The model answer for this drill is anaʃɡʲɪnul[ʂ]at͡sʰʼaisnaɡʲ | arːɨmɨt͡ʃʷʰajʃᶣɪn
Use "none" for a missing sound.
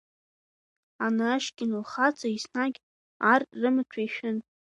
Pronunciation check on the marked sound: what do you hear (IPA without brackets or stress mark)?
χ